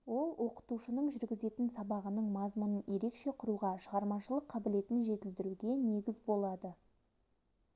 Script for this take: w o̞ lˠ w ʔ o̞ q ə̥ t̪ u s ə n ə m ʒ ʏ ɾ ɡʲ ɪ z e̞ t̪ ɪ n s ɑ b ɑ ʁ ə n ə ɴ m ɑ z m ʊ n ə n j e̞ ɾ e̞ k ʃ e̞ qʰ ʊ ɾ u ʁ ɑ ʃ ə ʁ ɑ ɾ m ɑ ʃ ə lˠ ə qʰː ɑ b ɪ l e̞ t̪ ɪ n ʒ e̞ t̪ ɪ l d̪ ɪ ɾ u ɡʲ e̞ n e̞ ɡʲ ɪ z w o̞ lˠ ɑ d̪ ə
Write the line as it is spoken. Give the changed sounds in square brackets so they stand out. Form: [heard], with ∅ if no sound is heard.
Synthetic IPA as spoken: w o̞ lˠ w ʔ o̞ q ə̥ t̪ u [ʃ] ə n ə [ɴ] ʒ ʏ ɾ ɡʲ ɪ z e̞ t̪ ɪ n s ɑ b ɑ ʁ ə n ə ɴ m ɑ z m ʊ n ə n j e̞ ɾ e̞ k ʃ e̞ qʰ ʊ ɾ u ʁ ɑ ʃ ə ʁ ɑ ɾ m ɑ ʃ ə lˠ ə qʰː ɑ b ɪ l e̞ t̪ ɪ n ʒ e̞ t̪ ɪ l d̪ ɪ ɾ u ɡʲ e̞ n e̞ ɡʲ ɪ z [b] o̞ lˠ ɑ d̪ ə